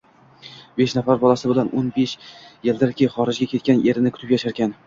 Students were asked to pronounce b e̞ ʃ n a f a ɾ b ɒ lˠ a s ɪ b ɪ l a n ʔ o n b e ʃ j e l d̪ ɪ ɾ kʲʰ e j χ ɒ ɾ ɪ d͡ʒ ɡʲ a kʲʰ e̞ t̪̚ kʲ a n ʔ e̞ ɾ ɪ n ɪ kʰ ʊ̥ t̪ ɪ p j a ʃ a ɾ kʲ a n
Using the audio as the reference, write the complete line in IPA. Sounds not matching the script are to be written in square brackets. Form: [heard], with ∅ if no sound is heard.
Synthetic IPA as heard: b e̞ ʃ n a f a ɾ b ɒ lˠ a s ɪ b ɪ l a n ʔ o n b e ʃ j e l d̪ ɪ ɾ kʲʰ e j χ ɒ ɾ ɪ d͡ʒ ɡʲ a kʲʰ e̞ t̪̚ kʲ a n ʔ e̞ ɾ ɪ n ɪ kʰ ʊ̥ t̪ ɪ p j a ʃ a ɾ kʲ a n